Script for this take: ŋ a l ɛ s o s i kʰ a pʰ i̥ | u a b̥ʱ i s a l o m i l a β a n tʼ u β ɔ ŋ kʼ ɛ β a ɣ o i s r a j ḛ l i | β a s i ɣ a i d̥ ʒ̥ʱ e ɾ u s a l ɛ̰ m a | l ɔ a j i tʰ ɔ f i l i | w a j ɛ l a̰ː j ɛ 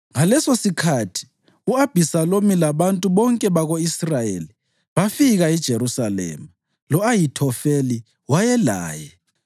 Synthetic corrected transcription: ŋ a l ɛ s o s i kʰ a tʰ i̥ | u a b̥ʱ i s a l o m i l a β a n tʼ u β ɔ ŋ kʼ ɛ β a ɣ o i s r a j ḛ l i | β a f i ɣ a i d̥ ʒ̥ʱ e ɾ u s a l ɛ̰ m a | l ɔ a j i tʰ ɔ f e l i | w a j ɛ l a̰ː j ɛ